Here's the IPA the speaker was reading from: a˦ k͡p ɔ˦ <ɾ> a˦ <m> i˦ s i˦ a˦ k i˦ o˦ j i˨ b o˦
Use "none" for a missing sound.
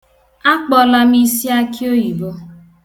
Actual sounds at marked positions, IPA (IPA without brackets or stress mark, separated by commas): l, m